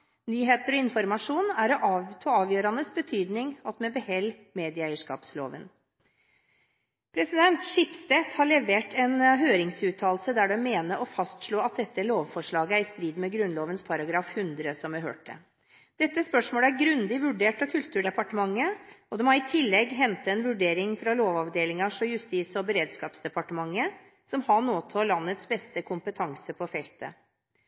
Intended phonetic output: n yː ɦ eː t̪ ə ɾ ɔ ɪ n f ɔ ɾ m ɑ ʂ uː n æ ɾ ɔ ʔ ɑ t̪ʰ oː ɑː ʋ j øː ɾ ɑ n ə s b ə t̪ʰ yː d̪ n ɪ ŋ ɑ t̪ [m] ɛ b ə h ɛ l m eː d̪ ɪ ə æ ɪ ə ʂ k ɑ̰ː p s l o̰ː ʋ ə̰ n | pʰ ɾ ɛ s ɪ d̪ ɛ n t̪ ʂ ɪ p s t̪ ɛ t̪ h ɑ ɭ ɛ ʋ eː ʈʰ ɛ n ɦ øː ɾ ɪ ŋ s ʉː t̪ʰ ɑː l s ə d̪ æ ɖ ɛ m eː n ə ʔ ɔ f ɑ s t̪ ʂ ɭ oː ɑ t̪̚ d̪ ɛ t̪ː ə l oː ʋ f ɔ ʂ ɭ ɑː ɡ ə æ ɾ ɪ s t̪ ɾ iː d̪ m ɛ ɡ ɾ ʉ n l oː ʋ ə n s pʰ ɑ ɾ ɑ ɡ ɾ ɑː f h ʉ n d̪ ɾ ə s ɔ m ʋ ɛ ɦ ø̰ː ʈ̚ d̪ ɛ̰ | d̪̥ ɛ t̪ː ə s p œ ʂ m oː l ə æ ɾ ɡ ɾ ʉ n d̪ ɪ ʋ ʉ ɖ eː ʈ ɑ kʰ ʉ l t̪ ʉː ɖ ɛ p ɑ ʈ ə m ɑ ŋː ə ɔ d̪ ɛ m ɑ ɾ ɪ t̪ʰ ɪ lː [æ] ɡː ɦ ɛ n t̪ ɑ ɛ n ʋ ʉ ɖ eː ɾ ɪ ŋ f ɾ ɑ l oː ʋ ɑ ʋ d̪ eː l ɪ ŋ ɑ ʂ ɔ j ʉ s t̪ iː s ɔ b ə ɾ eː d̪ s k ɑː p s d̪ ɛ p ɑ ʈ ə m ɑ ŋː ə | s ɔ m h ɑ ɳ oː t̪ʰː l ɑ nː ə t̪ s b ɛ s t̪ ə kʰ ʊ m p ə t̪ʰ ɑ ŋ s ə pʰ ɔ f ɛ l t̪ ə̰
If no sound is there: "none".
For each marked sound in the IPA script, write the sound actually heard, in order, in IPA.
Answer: m, ɛ

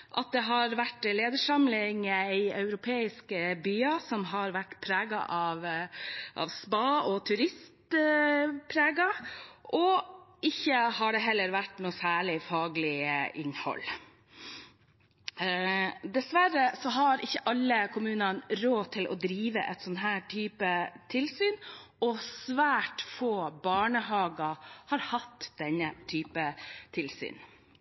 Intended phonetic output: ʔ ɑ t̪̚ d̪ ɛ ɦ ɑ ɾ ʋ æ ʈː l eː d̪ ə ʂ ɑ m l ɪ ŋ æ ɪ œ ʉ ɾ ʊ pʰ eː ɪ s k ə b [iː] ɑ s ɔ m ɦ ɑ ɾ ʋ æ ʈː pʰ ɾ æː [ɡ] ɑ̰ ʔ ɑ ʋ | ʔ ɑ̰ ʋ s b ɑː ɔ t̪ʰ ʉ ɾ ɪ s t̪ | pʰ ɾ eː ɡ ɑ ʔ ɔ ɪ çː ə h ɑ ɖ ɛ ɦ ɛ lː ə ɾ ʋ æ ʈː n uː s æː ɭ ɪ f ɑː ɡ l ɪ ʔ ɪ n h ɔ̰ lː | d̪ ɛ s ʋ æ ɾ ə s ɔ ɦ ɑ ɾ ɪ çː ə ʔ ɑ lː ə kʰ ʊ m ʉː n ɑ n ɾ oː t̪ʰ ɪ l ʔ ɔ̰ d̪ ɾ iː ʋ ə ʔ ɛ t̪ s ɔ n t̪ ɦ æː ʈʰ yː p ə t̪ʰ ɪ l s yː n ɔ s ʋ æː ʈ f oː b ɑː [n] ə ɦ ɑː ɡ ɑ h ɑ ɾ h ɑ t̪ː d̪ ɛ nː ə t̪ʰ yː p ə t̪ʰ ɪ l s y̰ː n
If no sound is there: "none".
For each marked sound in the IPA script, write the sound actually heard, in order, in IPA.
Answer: yː, ɡ, ɳ

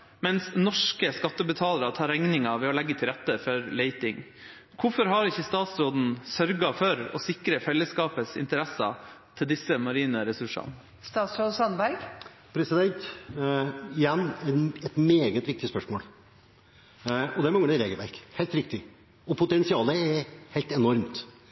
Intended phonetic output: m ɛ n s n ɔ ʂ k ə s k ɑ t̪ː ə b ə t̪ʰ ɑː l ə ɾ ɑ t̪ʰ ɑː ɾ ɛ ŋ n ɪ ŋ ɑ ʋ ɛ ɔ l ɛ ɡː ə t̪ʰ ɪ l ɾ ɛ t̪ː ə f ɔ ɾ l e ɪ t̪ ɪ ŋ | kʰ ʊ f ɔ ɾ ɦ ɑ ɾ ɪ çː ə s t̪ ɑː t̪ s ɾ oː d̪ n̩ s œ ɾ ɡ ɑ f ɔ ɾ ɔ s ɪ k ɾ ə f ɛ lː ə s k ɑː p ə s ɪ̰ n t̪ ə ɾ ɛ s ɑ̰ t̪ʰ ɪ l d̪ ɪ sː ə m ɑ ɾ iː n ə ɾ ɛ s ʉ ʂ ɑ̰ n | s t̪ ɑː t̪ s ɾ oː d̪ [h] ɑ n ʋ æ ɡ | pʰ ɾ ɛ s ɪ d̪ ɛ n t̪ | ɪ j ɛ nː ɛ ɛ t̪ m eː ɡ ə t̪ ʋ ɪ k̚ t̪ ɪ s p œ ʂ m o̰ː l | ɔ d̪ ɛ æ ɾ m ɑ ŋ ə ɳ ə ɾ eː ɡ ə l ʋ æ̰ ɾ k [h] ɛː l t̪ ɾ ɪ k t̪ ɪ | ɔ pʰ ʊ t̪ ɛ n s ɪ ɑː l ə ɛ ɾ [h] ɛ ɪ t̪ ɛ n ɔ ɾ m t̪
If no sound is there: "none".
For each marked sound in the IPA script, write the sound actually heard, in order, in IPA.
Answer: s, h, h

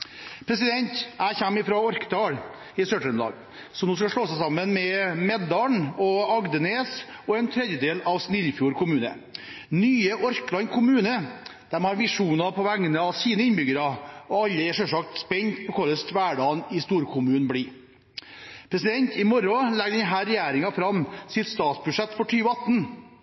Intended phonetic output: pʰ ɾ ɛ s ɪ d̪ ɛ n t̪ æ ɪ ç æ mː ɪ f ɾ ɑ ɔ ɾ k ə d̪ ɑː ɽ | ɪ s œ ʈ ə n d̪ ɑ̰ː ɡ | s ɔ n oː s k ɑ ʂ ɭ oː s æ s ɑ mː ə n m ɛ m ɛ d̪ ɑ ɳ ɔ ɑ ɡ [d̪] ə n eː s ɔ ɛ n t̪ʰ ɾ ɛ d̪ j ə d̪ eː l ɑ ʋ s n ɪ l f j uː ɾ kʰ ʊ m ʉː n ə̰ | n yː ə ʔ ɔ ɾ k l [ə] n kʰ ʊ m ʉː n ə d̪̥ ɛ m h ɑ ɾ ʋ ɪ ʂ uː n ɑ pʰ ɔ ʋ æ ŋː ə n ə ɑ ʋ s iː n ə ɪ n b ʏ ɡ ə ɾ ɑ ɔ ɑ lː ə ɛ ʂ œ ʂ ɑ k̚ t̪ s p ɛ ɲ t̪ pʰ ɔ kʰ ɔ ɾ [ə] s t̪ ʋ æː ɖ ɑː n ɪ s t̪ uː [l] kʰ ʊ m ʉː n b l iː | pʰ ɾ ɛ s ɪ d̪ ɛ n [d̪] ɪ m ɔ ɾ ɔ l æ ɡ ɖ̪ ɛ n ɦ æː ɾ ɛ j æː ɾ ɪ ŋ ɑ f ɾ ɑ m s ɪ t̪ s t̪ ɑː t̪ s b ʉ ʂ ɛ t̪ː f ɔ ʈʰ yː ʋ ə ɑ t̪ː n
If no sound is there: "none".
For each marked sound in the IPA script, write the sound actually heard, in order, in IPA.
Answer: d̪, ɑ, ə, ɾ, t̪

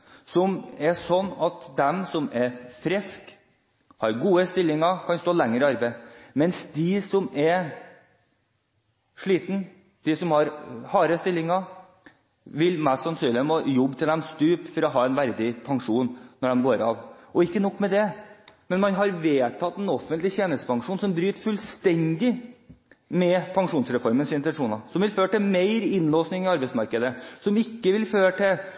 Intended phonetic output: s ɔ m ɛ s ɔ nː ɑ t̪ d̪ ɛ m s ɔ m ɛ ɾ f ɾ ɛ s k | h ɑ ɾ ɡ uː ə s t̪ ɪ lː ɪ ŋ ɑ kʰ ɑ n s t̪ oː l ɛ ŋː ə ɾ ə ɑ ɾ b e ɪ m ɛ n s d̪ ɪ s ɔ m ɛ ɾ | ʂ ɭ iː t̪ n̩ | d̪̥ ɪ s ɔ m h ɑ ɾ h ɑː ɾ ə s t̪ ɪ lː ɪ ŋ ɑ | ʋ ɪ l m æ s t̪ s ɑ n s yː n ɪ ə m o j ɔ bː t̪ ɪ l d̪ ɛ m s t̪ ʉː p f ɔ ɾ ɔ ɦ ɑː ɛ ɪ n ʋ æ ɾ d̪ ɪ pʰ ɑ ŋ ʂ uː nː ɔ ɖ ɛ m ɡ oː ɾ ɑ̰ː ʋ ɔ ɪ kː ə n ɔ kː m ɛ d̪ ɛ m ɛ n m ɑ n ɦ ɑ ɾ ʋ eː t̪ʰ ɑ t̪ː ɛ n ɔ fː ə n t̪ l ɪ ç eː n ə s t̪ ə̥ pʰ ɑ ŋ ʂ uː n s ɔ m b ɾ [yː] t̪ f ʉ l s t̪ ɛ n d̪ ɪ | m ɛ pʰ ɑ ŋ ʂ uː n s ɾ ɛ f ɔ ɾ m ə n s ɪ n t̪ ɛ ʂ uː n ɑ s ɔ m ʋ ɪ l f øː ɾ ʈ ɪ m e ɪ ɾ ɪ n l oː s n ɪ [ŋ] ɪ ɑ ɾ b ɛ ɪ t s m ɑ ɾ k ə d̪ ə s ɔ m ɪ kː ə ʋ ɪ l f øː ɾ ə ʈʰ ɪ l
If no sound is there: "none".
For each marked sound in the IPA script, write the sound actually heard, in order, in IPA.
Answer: yː, ŋ

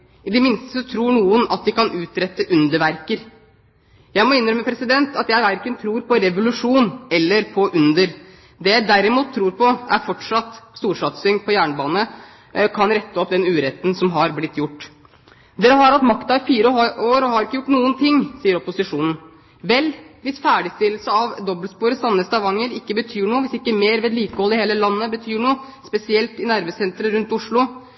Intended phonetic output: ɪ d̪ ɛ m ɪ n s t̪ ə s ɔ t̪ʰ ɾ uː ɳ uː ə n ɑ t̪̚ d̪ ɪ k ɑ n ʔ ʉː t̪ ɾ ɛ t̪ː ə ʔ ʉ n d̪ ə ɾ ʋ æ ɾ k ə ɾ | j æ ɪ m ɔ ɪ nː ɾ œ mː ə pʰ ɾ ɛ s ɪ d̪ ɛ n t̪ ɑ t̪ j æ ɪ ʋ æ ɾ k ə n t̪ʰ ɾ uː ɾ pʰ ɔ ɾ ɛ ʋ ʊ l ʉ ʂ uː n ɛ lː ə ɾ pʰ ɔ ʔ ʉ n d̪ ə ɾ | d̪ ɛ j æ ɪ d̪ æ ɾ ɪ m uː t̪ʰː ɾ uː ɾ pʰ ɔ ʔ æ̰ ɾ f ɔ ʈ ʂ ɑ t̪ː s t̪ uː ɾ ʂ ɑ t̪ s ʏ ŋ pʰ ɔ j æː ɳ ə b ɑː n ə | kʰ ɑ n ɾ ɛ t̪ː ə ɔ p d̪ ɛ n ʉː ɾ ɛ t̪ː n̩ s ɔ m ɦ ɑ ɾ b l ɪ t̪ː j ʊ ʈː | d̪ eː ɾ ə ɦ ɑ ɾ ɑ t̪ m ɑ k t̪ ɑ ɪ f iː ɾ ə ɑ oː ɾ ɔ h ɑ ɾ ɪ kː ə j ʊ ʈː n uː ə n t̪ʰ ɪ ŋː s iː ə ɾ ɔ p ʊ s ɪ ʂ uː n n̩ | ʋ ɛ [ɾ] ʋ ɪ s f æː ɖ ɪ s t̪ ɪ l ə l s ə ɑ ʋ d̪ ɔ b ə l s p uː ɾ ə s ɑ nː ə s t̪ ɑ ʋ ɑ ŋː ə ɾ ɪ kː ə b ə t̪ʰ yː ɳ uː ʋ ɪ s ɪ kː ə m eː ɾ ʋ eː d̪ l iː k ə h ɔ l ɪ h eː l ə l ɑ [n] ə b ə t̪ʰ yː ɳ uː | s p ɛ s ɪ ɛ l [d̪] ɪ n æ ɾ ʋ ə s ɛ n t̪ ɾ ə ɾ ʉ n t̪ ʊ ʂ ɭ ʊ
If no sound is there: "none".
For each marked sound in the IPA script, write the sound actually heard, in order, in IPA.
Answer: l, nː, t̪

